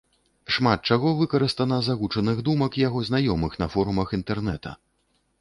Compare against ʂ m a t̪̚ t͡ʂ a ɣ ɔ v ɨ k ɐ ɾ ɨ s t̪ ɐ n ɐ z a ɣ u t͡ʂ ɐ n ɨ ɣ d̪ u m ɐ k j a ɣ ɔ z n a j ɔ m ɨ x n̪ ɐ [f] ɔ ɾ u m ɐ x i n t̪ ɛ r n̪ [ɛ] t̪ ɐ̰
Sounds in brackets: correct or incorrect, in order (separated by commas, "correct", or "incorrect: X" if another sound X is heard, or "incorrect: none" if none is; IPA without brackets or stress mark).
correct, correct